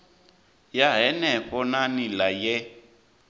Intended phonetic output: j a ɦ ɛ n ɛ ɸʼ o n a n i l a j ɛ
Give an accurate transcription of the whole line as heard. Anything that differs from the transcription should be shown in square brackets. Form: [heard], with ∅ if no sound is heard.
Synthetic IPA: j a ɦ ɛ n ɛ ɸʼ [ɔ] n a n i l a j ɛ